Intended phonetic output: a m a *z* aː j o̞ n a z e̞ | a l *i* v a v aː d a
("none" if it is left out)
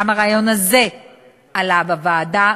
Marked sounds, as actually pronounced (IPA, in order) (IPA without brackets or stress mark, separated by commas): ʁ, a